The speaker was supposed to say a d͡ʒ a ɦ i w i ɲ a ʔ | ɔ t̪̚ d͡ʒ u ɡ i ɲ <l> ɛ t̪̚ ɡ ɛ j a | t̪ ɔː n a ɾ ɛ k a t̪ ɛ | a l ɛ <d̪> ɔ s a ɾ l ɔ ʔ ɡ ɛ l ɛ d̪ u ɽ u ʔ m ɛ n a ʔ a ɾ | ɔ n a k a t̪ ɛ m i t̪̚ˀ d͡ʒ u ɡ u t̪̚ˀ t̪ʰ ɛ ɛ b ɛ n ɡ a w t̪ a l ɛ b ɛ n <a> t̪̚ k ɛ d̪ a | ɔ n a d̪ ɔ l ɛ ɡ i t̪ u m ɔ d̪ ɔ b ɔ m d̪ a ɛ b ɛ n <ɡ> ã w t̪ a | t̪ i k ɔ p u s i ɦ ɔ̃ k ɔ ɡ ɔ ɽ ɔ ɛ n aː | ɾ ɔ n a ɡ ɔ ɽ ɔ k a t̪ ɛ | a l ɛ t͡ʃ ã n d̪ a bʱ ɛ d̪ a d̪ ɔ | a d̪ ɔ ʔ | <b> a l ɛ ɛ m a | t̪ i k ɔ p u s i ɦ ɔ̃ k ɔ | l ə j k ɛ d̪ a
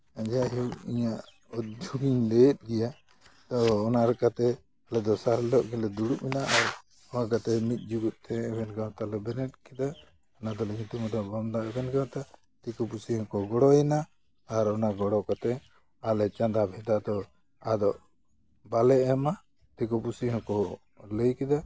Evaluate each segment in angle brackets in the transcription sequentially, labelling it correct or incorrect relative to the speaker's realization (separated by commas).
correct, correct, incorrect, correct, correct